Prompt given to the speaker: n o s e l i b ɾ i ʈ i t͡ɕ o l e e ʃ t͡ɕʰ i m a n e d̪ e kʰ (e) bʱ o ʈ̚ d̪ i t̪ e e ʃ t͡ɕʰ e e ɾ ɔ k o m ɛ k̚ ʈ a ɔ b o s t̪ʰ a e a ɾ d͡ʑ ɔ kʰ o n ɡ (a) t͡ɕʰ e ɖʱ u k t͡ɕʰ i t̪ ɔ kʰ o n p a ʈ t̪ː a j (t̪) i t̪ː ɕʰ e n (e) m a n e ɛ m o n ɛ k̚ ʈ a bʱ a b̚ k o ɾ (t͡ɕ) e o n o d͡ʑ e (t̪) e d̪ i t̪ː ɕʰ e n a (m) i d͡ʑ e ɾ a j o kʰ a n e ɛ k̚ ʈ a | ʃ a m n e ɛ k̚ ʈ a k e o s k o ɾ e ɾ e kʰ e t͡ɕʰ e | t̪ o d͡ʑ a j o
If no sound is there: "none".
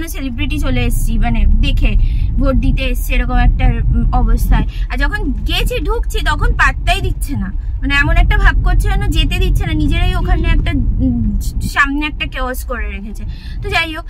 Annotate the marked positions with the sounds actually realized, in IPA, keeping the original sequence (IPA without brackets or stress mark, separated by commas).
e, e, d̪, a, t͡ɕʰ, t̪, n